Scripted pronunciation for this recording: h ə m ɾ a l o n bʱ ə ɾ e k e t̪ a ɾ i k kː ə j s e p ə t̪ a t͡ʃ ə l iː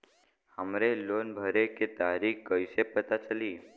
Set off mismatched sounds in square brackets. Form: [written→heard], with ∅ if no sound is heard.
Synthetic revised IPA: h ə m ɾ [a→e] l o n bʱ ə ɾ e k e t̪ a ɾ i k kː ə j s e p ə t̪ a t͡ʃ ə l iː